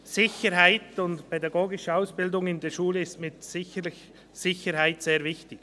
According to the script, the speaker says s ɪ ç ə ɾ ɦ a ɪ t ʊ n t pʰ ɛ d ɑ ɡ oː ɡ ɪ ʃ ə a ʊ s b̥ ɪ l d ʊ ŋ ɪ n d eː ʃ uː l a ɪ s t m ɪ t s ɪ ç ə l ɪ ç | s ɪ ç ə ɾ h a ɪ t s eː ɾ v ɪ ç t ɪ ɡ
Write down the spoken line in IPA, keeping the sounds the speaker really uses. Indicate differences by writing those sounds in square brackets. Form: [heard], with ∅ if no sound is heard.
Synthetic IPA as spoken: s ɪ ç ə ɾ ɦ a ɪ t ʊ n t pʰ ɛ d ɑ ɡ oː ɡ ɪ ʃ ə a ʊ s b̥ ɪ l d ʊ ŋ ɪ n d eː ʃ uː l [ə] ɪ s t m ɪ t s ɪ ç ə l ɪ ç | s ɪ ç ə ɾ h a ɪ t s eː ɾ v ɪ ç t ɪ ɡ